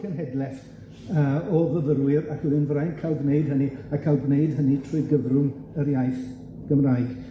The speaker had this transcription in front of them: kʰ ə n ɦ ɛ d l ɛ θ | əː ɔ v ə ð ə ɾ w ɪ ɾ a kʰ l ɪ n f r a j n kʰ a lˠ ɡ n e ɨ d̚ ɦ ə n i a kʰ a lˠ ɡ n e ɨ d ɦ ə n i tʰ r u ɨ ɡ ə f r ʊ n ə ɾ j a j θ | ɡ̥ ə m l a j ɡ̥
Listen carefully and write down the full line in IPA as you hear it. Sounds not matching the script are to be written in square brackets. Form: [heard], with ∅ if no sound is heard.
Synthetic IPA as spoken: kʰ ə n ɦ ɛ d l ɛ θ | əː ɔ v ə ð ə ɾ w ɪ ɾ a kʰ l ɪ n [v] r a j n kʰ a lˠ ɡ n e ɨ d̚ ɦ ə n i a kʰ a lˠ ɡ n e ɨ d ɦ ə n i tʰ r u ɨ ɡ ə [v] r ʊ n ə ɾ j a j θ | ɡ̥ ə m [r] a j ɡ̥